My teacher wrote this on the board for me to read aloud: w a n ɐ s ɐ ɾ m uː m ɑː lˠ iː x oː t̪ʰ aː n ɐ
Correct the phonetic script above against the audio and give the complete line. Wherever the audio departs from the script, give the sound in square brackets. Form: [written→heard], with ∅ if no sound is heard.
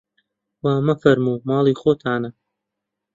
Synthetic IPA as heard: w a [n→m] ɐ [s→f] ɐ ɾ m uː m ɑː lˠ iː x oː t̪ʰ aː n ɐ